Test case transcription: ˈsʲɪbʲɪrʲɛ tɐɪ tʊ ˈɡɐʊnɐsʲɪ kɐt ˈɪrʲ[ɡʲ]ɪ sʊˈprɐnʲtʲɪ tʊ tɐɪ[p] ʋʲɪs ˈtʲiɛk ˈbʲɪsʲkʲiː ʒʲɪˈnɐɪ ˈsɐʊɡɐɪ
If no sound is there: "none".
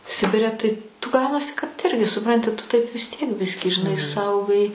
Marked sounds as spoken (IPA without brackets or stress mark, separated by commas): ɡʲ, p